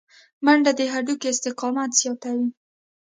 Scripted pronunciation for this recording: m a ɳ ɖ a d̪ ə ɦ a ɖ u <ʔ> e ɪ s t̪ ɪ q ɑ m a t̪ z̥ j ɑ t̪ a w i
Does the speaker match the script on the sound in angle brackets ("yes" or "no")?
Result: no